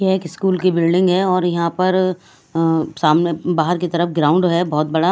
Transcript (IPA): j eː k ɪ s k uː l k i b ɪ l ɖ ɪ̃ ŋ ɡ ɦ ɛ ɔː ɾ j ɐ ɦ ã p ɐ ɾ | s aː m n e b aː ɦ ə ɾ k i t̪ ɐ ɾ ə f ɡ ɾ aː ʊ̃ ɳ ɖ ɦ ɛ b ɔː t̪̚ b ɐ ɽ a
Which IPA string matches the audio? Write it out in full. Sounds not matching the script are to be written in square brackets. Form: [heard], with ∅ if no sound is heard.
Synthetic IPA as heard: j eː k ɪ s k uː l k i b ɪ l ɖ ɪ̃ ŋ ɡ ɦ ɛ ɔː ɾ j ɐ ɦ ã p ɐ ɾ | s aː m n e b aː ɦ ə ɾ k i t̪ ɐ ɾ ə f ɡ ɾ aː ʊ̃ ɳ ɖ ɦ ɛ b ɔː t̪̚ b ɐ ɽ a